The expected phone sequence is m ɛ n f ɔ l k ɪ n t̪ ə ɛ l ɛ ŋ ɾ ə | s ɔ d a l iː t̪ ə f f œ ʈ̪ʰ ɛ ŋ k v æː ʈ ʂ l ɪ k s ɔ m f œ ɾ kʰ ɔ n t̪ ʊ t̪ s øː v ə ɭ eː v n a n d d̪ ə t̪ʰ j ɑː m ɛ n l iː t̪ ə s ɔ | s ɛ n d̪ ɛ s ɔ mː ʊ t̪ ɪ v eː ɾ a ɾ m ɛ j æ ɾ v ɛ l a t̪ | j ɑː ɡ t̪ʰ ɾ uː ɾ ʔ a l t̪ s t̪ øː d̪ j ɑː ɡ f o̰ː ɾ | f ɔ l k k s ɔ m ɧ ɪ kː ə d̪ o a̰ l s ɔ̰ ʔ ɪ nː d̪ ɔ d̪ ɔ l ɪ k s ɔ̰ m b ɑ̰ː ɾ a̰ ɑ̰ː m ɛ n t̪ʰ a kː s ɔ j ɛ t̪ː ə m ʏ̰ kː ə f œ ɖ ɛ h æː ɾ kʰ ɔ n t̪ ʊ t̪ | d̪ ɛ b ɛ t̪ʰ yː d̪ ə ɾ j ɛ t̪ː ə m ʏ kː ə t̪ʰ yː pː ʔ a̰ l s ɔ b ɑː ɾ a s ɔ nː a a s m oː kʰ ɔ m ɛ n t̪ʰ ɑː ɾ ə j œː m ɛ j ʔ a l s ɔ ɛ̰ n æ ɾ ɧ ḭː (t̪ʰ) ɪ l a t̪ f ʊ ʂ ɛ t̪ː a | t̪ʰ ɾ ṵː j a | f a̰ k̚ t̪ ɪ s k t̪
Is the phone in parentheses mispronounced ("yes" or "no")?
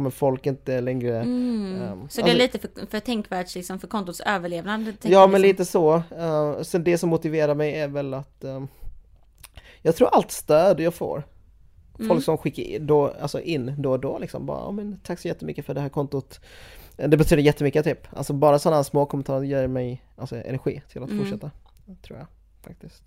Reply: no